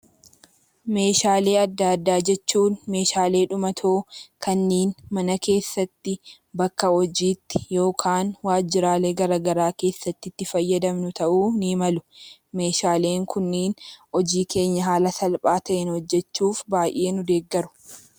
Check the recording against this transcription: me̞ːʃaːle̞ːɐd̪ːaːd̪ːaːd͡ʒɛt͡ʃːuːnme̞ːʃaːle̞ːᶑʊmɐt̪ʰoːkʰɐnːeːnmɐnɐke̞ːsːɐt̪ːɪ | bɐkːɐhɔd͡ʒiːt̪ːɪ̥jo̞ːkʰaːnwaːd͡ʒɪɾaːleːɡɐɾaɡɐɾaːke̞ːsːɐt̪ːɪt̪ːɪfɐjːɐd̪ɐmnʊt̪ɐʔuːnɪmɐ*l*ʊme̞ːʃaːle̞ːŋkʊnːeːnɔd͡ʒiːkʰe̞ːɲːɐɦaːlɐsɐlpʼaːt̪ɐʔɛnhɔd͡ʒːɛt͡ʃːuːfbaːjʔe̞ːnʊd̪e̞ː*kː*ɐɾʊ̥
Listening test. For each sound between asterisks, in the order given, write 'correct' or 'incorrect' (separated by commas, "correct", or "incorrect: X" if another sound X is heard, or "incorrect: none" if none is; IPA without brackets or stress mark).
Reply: correct, incorrect: ɡː